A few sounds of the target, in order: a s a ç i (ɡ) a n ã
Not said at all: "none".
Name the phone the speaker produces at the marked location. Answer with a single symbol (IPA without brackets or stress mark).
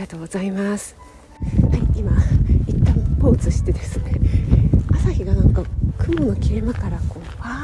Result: ɡ